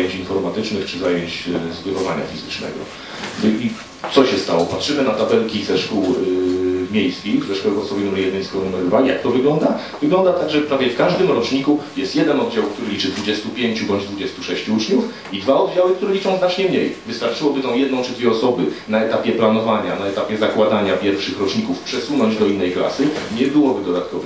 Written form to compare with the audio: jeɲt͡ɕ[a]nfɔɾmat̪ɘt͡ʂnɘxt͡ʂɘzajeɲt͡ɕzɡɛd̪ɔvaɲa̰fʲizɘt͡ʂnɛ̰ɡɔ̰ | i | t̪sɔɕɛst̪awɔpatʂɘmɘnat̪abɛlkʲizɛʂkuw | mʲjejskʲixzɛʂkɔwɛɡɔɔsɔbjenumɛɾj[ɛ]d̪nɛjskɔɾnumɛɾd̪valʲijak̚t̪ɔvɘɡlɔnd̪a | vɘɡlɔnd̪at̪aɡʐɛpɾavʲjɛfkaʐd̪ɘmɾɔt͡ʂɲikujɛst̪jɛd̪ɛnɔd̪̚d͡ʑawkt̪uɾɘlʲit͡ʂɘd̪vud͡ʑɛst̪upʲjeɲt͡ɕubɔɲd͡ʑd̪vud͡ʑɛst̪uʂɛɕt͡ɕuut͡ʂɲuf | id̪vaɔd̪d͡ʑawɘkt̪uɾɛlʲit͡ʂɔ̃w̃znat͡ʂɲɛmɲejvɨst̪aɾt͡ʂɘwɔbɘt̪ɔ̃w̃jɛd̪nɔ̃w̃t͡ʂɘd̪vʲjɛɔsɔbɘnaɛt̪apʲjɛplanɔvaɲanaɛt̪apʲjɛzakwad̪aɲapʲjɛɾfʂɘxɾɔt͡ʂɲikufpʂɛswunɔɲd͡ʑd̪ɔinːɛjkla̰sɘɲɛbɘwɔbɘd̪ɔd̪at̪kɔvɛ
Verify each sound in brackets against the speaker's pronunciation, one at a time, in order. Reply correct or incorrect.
incorrect, correct

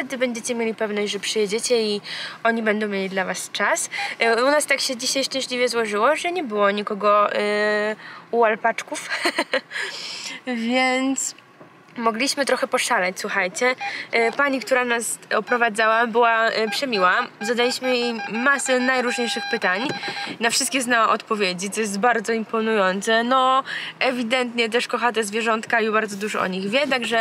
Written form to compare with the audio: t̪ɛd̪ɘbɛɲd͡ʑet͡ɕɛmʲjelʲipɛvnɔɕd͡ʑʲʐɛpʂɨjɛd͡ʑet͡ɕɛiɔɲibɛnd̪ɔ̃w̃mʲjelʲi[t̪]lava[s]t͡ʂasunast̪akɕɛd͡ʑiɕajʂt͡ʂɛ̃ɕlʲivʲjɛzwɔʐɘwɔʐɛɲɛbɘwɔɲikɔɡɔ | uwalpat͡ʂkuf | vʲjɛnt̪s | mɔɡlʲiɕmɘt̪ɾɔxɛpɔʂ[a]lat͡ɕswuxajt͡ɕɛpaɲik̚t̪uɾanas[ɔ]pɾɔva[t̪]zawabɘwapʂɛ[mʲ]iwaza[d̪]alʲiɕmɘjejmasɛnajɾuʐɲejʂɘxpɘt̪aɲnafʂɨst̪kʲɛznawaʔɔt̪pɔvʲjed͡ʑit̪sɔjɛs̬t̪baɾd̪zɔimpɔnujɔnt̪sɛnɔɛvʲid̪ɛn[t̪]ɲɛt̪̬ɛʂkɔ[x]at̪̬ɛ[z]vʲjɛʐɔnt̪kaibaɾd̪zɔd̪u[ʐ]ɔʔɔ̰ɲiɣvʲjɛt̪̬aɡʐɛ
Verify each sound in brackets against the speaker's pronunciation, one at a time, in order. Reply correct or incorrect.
incorrect, correct, correct, correct, incorrect, correct, correct, correct, correct, correct, correct

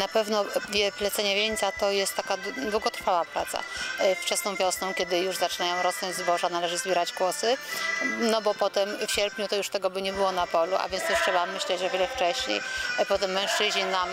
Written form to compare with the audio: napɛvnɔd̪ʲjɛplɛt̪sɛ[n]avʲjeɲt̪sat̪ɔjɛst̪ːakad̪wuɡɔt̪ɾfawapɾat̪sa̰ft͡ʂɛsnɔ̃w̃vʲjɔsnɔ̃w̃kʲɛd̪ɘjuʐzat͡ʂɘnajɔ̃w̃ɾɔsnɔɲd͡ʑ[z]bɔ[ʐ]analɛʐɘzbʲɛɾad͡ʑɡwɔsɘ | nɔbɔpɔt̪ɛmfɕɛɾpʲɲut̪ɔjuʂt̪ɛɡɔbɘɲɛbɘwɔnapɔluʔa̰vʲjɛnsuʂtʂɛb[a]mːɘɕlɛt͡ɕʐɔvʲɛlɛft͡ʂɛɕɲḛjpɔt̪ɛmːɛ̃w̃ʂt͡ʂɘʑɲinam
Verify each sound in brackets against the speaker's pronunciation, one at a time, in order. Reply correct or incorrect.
incorrect, correct, correct, correct

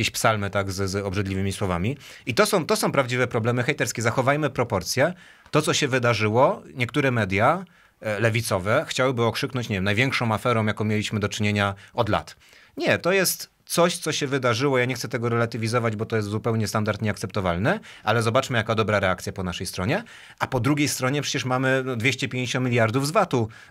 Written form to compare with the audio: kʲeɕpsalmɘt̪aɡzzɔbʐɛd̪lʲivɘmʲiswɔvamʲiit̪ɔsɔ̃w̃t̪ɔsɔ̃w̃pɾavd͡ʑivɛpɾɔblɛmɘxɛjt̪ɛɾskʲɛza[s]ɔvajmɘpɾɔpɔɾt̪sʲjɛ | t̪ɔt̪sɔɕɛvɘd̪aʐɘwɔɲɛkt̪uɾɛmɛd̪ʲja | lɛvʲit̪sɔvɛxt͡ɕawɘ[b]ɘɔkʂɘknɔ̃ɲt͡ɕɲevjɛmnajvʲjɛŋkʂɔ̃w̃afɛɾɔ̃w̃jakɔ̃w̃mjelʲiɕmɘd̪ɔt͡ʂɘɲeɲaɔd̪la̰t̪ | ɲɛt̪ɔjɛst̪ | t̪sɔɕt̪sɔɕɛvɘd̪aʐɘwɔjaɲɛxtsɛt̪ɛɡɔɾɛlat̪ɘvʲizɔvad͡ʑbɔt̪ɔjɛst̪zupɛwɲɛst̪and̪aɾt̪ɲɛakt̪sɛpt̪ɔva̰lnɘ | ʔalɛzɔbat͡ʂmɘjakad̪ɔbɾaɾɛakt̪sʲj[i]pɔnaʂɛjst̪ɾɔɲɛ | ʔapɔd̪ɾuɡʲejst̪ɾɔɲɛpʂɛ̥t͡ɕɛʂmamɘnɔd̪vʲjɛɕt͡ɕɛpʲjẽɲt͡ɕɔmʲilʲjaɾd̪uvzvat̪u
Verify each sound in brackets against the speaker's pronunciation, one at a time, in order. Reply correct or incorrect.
incorrect, correct, incorrect

